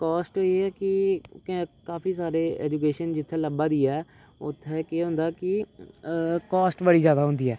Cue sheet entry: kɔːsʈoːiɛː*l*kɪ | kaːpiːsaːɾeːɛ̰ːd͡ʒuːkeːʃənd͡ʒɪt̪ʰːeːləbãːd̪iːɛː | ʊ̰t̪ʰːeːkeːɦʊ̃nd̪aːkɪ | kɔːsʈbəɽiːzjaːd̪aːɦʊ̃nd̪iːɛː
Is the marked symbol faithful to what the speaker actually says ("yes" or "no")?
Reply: no